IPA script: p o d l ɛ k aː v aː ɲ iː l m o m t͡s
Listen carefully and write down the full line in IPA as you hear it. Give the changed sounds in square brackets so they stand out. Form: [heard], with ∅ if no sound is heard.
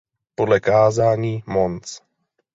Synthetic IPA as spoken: p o d l ɛ k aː [z] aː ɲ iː [∅] m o [n] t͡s